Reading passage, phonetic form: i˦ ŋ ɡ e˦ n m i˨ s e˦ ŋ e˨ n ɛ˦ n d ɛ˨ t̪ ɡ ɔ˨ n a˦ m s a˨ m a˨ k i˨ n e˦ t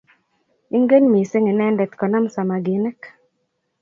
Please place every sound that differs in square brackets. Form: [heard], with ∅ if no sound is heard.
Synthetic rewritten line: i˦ ŋ ɡ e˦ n m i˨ s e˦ ŋ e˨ n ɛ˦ n d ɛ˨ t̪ [k] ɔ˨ n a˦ m s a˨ m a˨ [ɡ] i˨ n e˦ [k]